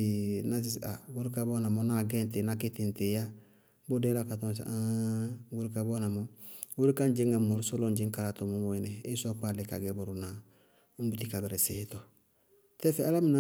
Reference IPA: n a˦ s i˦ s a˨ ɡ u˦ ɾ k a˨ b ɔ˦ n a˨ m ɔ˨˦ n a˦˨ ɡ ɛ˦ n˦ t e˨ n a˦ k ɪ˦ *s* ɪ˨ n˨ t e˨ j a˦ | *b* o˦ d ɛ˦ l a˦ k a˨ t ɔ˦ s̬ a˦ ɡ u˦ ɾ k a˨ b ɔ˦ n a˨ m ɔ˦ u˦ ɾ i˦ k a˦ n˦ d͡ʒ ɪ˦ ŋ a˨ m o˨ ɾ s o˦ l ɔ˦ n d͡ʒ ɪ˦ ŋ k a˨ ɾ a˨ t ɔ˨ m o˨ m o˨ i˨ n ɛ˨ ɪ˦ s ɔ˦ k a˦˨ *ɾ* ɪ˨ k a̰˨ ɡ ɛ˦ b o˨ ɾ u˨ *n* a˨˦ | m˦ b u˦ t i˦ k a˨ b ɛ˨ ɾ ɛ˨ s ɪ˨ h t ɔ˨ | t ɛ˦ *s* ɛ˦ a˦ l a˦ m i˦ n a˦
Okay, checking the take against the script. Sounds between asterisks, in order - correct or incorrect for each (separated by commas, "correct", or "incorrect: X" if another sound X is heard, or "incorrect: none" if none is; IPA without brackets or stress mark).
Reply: incorrect: t, correct, incorrect: l, correct, incorrect: f